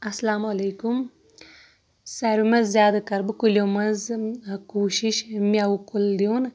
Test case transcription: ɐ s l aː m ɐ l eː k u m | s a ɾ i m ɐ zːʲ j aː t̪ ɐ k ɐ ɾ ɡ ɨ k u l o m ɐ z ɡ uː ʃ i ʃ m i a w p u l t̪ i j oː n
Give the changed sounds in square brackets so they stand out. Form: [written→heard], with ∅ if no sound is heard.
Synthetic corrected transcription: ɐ s l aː m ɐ l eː k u m | s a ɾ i m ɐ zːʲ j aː [t̪→d̪] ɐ k ɐ ɾ [ɡ→b] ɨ k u l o m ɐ z [ɡ→k] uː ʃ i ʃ m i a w [p→k] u l [t̪→d̪] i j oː n